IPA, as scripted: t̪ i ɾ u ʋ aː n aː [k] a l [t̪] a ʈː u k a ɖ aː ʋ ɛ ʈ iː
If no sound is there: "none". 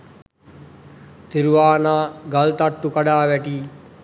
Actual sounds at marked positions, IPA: ɡ, t̪

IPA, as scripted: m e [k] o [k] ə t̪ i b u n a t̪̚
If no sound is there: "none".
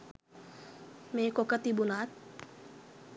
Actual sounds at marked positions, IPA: k, k

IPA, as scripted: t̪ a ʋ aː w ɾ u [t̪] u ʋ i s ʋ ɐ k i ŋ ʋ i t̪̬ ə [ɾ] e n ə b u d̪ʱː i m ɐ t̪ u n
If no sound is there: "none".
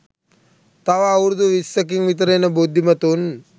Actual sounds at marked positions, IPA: d̪, ɾ

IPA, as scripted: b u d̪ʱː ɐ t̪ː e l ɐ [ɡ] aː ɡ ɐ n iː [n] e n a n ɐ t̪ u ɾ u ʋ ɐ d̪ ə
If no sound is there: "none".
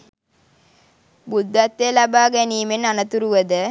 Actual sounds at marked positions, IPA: b, m

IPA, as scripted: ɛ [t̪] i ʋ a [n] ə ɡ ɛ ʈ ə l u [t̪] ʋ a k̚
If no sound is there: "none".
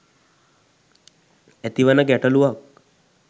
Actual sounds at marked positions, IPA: t̪, n, none

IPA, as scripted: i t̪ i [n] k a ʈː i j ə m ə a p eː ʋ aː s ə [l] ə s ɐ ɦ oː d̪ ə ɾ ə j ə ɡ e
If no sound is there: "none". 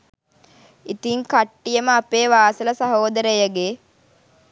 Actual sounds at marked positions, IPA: ŋ, l

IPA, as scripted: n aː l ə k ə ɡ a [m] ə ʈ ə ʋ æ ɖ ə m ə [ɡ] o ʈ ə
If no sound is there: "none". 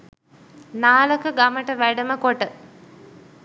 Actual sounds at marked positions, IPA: m, k

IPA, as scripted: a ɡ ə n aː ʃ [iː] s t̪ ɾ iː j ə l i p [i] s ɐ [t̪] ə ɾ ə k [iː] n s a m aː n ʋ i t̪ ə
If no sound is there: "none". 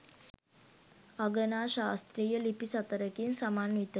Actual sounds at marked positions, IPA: aː, i, t̪, i

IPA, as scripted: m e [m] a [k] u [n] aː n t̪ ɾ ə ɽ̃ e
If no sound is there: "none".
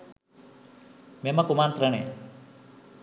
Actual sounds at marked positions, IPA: m, k, m

